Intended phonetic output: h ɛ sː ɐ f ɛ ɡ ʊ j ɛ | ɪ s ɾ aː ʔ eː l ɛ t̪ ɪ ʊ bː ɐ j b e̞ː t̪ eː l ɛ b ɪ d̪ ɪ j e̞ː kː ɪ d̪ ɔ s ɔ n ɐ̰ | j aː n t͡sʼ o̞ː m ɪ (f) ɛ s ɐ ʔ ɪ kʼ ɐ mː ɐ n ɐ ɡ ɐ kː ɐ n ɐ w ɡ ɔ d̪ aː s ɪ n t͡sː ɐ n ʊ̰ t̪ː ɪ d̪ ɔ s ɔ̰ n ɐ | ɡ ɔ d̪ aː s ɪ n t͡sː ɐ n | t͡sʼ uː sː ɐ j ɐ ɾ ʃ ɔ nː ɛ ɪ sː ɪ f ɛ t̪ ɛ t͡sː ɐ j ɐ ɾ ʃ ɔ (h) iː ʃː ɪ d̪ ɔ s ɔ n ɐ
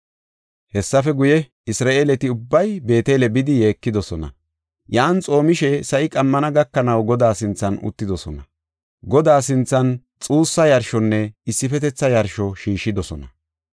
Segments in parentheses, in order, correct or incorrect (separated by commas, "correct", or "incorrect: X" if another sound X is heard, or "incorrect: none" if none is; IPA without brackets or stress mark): incorrect: ʃ, incorrect: ʃ